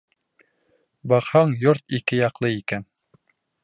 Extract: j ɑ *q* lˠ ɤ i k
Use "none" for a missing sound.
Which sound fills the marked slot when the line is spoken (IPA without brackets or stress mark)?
q